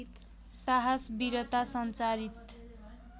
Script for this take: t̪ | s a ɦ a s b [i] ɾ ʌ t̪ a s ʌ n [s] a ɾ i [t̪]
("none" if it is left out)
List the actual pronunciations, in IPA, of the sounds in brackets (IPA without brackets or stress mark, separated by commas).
i, t͡s, t̪